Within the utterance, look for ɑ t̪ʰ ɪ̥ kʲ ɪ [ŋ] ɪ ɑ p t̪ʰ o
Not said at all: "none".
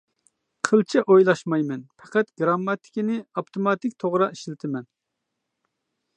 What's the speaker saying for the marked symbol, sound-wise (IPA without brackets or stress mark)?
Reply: n